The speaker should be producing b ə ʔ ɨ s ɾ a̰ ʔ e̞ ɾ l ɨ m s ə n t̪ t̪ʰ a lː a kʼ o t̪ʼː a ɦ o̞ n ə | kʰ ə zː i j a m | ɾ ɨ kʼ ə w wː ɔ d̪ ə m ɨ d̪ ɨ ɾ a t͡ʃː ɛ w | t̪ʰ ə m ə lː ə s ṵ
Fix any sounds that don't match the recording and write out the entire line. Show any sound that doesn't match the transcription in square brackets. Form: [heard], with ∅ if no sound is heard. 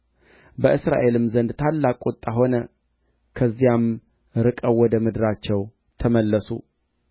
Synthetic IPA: b ə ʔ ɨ s ɾ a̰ ʔ e̞ [∅] l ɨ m [z] ə n [d̪] t̪ʰ a lː a kʼ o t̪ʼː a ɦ o̞ n ə | kʰ ə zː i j a m | ɾ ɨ kʼ ə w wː ɔ d̪ ə m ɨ d̪ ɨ ɾ a t͡ʃː ɛ w | t̪ʰ ə m ə lː ə s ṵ

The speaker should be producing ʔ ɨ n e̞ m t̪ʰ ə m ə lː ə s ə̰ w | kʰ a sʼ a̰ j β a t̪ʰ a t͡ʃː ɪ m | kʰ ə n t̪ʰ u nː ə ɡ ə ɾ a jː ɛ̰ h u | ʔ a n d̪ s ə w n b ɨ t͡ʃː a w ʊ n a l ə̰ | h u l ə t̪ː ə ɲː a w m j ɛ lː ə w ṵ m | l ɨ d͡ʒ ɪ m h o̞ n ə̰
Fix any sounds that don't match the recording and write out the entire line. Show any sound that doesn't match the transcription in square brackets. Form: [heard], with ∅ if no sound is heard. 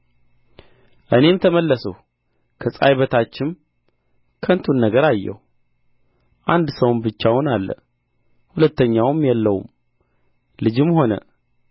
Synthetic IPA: ʔ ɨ n e̞ m t̪ʰ ə m ə lː ə s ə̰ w | kʰ [ə] sʼ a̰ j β [ə] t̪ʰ a t͡ʃː ɪ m | kʰ ə n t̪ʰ u nː ə ɡ ə ɾ a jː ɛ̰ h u | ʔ a n d̪ s ə w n b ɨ t͡ʃː a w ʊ n a [lː] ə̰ | h u l ə t̪ː ə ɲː a w m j ɛ lː ə w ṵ m | l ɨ d͡ʒ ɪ m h o̞ n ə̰

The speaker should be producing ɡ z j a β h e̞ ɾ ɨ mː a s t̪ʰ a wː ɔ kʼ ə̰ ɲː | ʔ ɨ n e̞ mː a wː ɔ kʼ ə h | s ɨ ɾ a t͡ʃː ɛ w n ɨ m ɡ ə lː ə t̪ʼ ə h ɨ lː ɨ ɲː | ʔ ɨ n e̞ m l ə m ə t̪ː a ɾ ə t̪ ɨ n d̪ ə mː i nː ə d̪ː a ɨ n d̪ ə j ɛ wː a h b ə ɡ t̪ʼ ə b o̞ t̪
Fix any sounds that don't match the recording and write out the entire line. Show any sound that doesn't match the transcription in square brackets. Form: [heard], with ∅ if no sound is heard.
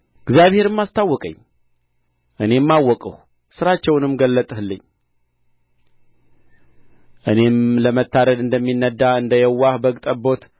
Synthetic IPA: ɡ z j a β h e̞ ɾ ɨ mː a s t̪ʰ a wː ɔ kʼ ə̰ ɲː | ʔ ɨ n e̞ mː a wː ɔ kʼ ə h | s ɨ ɾ a t͡ʃː ɛ w n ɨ m ɡ ə lː ə t̪ʼ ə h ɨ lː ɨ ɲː | ʔ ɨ n e̞ m l ə m ə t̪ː a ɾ ə [d̪] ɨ n d̪ ə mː i nː ə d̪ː a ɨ n d̪ ə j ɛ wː a h b ə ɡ t̪ʼ ə b o̞ t̪

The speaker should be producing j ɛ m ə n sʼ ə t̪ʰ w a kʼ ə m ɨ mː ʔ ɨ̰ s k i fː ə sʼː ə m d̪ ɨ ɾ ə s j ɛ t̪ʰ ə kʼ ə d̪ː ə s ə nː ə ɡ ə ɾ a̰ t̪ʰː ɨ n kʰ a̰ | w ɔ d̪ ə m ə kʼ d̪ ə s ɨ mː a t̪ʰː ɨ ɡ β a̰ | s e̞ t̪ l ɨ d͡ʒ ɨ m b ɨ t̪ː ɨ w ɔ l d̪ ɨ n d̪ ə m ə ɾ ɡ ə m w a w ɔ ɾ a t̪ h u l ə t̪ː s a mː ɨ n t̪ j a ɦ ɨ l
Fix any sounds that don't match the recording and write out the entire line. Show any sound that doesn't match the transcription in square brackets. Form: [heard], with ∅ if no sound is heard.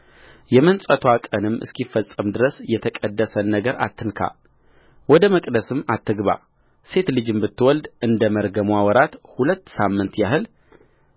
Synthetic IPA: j ɛ m ə n sʼ ə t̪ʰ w a kʼ ə [n] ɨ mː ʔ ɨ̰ s k i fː ə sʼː ə m d̪ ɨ ɾ ə s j ɛ t̪ʰ ə kʼ ə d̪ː ə s ə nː ə ɡ ə ɾ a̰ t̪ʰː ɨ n kʰ a̰ | w ɔ d̪ ə m ə kʼ d̪ ə s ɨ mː a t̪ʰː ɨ ɡ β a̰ | s e̞ t̪ l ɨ d͡ʒ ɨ m b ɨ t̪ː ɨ w ɔ l d̪ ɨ n d̪ ə m ə ɾ ɡ ə m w a w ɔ ɾ a t̪ h u l ə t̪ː s a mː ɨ n t̪ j a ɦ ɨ l

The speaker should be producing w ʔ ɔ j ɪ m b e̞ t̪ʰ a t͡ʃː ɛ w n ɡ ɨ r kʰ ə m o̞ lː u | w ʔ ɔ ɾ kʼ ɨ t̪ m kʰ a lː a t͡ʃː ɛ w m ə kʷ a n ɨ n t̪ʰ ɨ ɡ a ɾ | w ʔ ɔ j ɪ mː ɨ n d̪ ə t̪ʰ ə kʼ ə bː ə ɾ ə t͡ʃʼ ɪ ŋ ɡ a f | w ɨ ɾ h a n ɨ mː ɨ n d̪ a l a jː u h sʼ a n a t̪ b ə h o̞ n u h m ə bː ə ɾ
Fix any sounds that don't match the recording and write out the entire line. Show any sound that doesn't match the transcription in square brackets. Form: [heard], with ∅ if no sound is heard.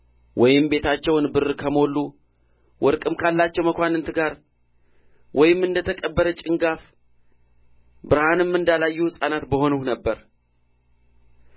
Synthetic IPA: w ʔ ɔ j ɪ m b e̞ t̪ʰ a t͡ʃː ɛ w n [b] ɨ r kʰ ə m o̞ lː u | w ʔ ɔ ɾ kʼ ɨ [∅] m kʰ a lː a t͡ʃː ɛ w m ə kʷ a n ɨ n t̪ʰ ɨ ɡ a ɾ | w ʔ ɔ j ɪ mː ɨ n d̪ ə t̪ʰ ə kʼ ə bː ə ɾ ə t͡ʃʼ ɪ ŋ ɡ a f | [b] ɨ ɾ h a n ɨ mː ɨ n d̪ a l a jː u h sʼ a n a t̪ b ə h o̞ n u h [n] ə bː ə ɾ

